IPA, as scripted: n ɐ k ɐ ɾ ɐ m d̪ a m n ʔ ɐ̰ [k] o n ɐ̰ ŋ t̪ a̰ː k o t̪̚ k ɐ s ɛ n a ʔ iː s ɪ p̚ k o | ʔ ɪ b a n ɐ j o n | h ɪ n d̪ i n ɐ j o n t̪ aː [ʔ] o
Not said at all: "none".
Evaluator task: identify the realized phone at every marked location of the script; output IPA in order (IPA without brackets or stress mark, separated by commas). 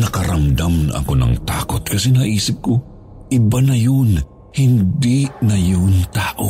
k, ʔ